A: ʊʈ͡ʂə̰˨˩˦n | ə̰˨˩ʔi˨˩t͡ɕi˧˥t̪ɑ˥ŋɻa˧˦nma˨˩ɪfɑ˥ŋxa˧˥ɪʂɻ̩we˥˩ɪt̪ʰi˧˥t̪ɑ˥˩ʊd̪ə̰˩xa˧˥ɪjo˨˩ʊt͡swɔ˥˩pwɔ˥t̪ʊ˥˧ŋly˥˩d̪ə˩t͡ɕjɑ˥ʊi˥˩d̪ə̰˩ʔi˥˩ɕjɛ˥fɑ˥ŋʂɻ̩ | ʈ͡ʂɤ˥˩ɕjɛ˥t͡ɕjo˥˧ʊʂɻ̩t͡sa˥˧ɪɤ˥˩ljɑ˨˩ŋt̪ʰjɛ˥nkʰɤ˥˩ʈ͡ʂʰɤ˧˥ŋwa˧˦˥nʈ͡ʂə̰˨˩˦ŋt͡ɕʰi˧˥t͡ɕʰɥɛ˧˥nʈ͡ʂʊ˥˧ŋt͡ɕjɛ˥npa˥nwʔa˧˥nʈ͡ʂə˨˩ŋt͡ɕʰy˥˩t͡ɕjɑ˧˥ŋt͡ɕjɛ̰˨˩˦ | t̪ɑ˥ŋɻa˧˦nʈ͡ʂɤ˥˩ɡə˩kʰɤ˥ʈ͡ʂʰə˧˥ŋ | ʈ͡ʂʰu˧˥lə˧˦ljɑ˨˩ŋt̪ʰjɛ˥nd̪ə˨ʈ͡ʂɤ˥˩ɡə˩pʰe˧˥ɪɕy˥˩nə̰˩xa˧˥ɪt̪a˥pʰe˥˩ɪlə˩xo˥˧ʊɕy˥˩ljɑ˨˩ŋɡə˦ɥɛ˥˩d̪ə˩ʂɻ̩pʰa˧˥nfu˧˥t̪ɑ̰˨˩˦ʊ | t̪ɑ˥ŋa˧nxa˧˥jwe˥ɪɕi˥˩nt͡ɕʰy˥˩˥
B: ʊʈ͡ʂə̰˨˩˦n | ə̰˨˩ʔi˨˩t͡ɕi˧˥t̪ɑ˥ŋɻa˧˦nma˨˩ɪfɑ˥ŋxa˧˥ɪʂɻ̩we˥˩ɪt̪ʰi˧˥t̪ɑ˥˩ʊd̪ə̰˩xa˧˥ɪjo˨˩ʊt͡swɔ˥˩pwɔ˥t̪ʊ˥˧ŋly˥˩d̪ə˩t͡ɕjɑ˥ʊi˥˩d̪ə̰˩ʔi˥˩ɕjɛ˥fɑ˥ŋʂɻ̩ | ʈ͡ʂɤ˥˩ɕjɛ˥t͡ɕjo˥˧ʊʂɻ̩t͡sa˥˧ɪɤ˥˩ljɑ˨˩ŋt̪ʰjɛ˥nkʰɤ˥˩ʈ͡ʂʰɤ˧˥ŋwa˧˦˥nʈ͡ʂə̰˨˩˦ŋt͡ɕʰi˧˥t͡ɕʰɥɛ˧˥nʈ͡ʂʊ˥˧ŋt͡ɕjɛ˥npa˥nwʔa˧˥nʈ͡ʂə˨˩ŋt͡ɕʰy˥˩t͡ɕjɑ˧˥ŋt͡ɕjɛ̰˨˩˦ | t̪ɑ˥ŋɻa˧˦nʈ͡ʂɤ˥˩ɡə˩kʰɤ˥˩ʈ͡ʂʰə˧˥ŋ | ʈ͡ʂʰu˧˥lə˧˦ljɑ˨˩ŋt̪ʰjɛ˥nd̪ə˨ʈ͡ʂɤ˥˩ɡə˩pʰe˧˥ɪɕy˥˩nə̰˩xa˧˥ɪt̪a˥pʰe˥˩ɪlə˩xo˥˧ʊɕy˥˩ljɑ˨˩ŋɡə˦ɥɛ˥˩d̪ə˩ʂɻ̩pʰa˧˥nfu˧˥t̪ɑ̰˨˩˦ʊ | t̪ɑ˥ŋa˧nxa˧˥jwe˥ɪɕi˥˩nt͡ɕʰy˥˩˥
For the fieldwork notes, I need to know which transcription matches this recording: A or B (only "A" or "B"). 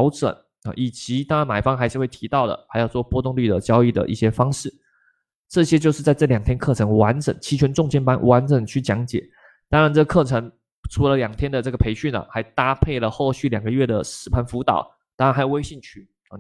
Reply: B